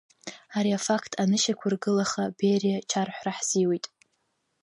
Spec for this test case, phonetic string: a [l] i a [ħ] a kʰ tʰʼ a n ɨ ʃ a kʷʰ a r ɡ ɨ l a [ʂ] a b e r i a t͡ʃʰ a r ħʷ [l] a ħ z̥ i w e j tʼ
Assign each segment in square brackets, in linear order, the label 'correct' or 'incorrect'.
incorrect: ɾ, incorrect: f, incorrect: χ, incorrect: r

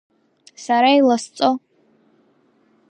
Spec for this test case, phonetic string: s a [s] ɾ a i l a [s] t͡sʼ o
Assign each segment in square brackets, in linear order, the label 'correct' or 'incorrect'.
incorrect: none, correct

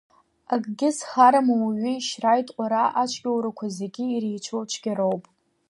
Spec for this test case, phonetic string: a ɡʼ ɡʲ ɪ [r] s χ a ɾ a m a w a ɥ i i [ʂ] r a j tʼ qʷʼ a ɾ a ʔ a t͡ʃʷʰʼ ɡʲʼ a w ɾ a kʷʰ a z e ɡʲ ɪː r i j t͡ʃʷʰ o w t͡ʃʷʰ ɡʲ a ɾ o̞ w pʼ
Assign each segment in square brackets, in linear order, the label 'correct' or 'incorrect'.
incorrect: none, incorrect: ʃ

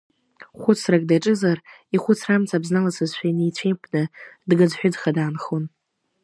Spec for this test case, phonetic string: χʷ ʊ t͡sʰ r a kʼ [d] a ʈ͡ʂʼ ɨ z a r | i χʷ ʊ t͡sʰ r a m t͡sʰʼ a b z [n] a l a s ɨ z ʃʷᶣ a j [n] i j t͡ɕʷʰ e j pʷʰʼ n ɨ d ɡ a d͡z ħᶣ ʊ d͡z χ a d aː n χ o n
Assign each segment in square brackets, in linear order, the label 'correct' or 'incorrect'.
correct, correct, correct

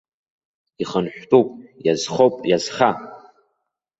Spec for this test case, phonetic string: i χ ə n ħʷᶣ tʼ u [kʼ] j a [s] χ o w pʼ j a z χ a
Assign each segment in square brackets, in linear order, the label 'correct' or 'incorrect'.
incorrect: pʼ, incorrect: z

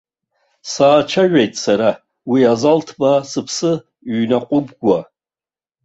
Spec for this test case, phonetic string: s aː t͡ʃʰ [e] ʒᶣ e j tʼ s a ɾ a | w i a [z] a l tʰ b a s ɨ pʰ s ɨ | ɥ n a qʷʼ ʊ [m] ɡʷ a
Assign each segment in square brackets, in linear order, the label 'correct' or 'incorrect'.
incorrect: a, correct, incorrect: b

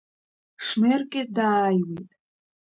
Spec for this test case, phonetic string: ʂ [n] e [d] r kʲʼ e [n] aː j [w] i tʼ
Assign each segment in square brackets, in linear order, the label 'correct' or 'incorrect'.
incorrect: m, incorrect: none, incorrect: d, correct

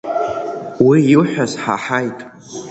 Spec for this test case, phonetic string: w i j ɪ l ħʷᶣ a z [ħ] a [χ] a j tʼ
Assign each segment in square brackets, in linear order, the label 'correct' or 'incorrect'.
correct, incorrect: ħ

